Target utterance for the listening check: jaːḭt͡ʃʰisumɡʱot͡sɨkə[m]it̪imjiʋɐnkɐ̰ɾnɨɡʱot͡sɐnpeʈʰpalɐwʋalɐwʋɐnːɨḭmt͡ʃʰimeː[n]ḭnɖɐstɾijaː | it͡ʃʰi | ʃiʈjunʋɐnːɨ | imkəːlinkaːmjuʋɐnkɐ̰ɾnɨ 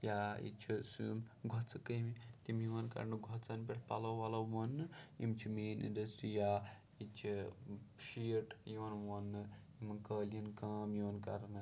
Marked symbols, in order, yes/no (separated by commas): yes, yes